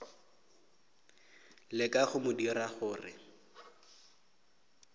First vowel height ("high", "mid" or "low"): high